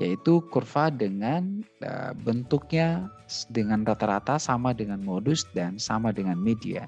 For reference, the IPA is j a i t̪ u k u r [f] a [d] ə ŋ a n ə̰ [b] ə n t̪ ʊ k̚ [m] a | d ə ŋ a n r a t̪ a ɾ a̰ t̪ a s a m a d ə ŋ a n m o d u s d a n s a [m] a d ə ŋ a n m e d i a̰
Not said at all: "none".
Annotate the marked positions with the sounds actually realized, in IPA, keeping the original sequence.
f, d, b, ɲ, m

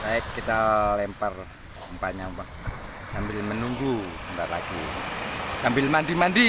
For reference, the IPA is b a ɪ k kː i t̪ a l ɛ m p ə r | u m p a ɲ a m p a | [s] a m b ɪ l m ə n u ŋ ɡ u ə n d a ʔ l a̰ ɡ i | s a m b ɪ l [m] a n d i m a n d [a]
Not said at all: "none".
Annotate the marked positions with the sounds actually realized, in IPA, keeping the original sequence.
s, m, i

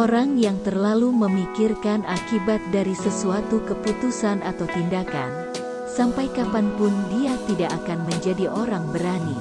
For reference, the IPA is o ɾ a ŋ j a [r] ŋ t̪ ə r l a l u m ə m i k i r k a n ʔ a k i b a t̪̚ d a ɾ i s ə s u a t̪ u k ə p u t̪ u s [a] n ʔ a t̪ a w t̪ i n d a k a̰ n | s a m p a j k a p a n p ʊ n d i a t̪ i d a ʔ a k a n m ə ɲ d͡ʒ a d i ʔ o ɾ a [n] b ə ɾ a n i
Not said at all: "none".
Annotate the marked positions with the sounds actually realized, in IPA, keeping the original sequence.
none, a, ŋ

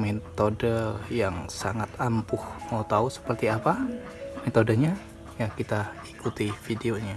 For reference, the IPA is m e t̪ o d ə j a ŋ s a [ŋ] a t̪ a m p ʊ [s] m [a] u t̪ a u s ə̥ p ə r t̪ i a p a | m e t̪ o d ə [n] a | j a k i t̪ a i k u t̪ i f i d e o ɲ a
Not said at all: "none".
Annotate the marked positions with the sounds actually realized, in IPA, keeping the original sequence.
ŋ, h, a, ɲ

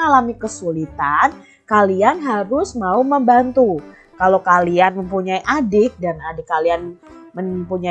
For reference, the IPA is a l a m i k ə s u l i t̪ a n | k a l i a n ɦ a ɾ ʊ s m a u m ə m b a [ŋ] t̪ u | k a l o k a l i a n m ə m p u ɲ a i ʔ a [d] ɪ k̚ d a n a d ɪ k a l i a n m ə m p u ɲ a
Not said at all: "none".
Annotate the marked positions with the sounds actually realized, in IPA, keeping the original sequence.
n, d

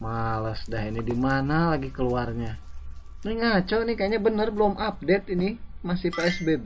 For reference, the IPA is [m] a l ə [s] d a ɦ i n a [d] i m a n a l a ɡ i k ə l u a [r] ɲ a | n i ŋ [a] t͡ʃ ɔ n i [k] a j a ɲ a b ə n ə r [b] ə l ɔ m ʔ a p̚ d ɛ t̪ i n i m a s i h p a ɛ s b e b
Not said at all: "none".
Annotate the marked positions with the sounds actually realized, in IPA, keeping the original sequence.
m, s, d, r, a, k, b

